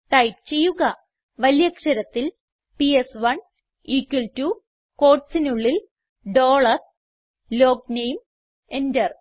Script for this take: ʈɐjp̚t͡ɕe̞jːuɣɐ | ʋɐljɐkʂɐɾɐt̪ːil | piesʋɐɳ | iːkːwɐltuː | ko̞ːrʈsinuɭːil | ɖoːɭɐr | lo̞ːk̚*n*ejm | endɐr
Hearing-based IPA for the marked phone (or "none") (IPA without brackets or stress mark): n